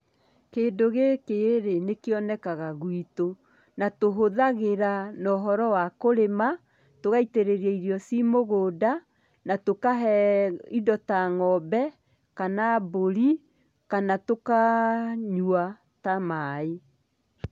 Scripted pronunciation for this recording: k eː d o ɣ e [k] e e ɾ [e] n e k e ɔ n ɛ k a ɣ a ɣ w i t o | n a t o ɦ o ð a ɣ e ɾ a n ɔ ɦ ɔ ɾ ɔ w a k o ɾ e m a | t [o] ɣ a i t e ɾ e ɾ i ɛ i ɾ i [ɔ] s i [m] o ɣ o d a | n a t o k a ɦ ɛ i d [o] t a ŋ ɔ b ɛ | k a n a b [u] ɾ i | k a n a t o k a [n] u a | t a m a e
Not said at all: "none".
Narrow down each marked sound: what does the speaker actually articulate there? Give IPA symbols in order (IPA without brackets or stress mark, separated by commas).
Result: k, e, o, ɔ, m, ɔ, o, ɲ